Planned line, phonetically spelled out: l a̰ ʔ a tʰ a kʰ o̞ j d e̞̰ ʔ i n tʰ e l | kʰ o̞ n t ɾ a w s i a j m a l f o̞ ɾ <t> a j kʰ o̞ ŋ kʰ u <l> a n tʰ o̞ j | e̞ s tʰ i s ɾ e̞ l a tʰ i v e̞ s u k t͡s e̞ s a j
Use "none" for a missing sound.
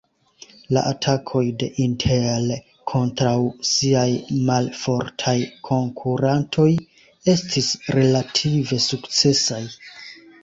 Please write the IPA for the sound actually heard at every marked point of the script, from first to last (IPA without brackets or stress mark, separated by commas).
tʰ, ɾ